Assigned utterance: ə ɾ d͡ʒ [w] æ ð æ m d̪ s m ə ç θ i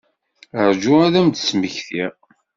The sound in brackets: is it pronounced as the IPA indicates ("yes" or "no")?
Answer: no